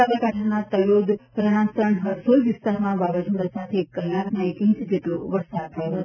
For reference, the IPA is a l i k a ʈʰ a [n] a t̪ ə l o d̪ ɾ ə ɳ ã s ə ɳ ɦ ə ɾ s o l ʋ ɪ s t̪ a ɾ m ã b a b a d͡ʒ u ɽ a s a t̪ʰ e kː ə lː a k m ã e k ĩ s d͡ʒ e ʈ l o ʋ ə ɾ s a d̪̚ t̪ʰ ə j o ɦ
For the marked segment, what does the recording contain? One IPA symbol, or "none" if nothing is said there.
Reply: n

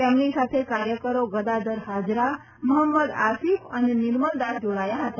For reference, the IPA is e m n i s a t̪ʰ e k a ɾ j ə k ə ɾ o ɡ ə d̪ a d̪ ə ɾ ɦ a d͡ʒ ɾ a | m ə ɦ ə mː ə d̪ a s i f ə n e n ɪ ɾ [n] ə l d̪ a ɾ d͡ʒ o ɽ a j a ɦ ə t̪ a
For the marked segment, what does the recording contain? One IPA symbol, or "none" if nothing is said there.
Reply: m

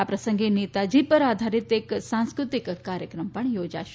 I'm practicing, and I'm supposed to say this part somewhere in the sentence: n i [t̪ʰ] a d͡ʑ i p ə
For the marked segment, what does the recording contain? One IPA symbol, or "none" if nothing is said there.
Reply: t̪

